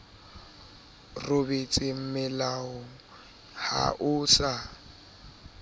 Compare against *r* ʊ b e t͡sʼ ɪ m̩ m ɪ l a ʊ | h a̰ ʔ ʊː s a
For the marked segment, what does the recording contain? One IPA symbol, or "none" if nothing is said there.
r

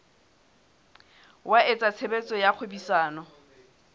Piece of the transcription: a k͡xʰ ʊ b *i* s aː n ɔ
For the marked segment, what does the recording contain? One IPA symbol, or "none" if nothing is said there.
i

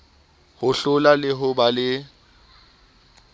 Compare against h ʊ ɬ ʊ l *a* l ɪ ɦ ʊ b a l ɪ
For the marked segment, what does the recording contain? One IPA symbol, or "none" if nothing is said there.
a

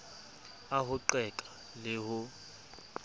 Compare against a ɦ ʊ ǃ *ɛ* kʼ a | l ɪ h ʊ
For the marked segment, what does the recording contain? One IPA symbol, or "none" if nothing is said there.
ɛ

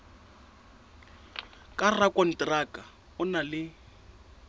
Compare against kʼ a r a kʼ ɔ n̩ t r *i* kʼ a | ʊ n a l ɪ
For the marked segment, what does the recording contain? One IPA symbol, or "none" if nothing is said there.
a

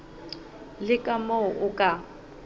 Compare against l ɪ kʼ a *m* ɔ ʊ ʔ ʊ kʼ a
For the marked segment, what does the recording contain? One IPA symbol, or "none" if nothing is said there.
m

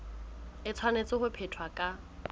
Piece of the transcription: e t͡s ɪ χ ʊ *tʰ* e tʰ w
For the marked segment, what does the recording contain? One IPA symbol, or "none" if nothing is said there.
pʰ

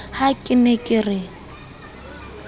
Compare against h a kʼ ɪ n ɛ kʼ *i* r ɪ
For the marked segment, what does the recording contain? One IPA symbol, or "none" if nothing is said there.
ɪ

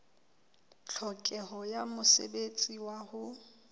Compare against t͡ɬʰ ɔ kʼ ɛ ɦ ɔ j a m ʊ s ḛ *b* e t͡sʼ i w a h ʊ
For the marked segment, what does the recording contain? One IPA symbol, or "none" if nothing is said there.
b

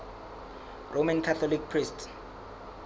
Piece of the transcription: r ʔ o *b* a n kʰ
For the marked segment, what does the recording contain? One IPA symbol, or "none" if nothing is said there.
m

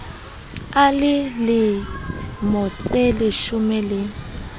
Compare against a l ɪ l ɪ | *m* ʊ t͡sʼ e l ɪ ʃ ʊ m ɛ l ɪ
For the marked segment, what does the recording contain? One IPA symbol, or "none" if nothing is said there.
m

